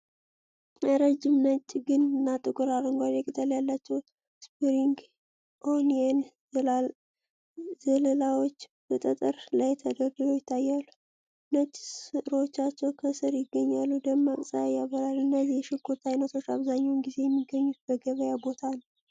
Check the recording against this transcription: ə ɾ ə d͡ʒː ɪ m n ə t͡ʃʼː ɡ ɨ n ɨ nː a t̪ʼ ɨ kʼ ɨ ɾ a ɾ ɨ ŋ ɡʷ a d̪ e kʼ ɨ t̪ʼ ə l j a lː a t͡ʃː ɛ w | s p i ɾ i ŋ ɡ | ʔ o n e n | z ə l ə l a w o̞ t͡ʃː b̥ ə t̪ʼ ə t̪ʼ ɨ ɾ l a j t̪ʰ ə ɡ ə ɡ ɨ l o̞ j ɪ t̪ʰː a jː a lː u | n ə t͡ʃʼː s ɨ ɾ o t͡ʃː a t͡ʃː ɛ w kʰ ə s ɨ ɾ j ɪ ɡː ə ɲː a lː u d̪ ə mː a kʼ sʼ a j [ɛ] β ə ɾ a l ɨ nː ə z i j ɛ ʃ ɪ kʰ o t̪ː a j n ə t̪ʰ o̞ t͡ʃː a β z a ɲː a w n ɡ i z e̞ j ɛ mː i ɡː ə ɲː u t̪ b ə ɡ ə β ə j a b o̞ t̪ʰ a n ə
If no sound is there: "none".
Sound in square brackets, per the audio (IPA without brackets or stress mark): a